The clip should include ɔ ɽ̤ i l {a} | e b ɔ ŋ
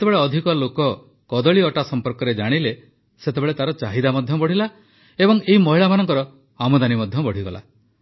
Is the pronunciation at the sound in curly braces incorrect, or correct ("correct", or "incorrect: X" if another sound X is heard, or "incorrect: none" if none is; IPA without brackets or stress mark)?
correct